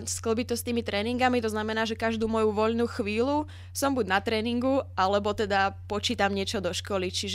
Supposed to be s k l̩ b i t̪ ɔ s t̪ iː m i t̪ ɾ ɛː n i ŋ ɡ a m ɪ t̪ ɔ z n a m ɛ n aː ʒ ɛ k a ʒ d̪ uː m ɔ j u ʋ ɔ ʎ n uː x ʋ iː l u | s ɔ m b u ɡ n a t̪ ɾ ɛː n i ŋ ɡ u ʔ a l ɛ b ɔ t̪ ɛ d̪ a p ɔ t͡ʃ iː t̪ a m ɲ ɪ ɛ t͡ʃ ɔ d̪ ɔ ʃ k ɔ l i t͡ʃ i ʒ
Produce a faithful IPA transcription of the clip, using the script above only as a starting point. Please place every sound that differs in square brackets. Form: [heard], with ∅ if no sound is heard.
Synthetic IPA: s k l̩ b i t̪ ɔ s t̪ iː m i t̪ ɾ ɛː n i ŋ ɡ a m [i] t̪ ɔ z n a m ɛ n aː ʒ ɛ k a ʒ d̪ uː m ɔ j u ʋ ɔ ʎ n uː x ʋ iː l u | s ɔ m b u [ɟ] n a t̪ ɾ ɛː n i ŋ ɡ u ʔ a l ɛ b ɔ t̪ ɛ d̪ a p ɔ t͡ʃ iː t̪ a m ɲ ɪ ɛ t͡ʃ ɔ d̪ ɔ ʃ k ɔ l i t͡ʃ i ʒ